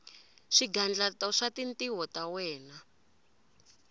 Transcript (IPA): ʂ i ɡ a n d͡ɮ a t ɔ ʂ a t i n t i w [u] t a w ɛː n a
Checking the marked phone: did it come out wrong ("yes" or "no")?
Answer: yes